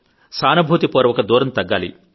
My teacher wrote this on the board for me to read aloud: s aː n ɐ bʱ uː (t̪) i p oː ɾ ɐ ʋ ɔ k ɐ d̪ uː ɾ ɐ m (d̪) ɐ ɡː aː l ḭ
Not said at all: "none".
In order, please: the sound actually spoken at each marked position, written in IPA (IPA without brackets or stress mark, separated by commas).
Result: t̪, t̪